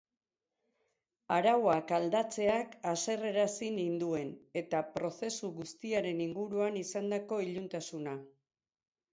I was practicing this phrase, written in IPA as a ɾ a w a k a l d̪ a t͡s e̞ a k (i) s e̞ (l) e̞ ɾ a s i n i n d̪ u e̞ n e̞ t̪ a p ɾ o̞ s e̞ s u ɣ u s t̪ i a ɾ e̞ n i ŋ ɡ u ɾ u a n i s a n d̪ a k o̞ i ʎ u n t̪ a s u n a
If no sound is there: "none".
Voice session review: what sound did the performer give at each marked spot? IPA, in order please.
a, r

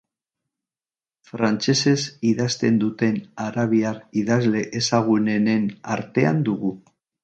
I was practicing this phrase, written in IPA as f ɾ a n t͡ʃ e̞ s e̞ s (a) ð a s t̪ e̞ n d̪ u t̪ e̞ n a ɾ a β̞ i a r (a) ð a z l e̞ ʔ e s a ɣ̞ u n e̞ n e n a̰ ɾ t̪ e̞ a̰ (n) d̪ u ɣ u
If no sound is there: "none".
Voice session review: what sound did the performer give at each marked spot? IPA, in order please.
i, i, n

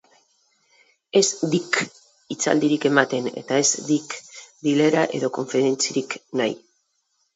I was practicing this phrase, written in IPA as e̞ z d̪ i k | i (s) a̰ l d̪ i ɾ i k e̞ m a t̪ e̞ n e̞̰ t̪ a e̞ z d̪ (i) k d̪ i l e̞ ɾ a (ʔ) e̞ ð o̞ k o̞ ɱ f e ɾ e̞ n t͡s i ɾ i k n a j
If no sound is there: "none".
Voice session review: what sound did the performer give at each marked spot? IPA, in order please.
t͡s, i, ʔ

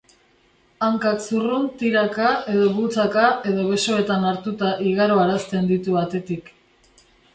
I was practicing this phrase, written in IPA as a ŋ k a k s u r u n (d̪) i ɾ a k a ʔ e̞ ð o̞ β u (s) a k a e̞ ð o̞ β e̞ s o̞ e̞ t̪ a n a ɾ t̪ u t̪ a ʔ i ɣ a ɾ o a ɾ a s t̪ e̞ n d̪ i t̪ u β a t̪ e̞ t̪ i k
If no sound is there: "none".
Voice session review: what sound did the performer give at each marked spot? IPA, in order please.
t̪, t͡s

